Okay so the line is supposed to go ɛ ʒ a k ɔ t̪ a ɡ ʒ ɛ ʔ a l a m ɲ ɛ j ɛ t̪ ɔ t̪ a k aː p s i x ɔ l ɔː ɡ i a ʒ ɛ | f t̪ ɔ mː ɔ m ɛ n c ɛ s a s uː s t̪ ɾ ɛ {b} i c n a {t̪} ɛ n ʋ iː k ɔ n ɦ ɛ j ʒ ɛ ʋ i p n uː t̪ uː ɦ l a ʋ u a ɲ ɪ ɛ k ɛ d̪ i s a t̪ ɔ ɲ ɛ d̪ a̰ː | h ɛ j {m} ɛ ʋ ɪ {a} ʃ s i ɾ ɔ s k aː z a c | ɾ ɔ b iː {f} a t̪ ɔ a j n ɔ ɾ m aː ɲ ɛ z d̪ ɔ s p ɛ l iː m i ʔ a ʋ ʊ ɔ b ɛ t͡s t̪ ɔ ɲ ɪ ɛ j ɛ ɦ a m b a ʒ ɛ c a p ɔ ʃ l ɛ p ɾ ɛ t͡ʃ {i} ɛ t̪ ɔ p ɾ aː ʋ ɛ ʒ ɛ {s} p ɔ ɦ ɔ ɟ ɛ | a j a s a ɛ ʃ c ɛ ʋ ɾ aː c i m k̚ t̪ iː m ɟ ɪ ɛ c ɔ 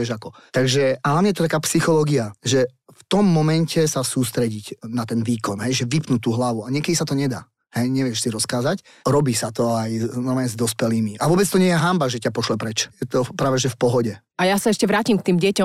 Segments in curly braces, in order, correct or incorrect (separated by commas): incorrect, correct, incorrect, incorrect, incorrect, incorrect, incorrect